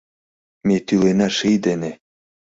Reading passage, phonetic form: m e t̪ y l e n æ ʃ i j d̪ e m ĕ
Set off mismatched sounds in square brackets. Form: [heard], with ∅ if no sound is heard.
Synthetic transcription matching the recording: m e t̪ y l e n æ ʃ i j d̪ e [n] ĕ